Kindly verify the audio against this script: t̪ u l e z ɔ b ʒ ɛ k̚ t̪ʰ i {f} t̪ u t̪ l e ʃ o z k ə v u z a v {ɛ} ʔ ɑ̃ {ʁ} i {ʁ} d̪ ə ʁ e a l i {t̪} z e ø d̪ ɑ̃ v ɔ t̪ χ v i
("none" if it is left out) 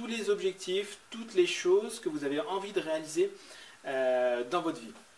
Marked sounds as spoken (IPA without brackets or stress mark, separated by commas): f, e, v, none, none